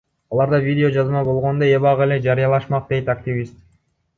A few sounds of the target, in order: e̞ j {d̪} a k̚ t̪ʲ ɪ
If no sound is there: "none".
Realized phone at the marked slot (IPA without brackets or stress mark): t̪